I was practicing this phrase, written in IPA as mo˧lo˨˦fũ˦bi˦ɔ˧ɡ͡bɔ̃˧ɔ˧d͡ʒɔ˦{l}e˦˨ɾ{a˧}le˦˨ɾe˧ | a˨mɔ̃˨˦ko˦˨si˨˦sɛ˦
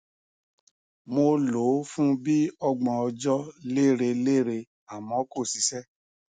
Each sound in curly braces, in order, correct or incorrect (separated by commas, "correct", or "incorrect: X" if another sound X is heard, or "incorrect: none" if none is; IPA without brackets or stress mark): correct, incorrect: e˧